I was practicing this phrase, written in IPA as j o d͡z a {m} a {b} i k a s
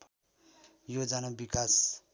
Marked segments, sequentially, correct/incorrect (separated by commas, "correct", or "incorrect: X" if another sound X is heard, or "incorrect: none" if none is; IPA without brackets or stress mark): incorrect: n, correct